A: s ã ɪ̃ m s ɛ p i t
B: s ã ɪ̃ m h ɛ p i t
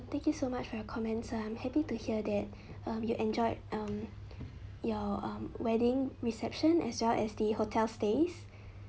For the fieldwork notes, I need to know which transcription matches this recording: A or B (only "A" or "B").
B